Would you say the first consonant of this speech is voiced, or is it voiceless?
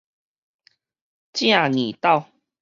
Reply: voiceless